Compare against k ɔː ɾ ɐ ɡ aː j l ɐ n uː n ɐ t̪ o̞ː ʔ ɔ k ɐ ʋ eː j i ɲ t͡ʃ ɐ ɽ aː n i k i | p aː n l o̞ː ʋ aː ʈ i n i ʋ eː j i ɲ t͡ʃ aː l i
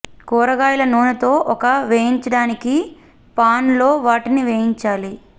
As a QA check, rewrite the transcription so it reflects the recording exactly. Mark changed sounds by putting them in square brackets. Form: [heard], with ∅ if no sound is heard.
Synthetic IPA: k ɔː ɾ ɐ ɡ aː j l ɐ n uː n ɐ t̪ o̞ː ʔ ɔ k ɐ ʋ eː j i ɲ t͡ʃ ɐ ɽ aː n i k i | p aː n l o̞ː ʋ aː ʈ i n i ʋ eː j i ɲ t͡ʃ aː l i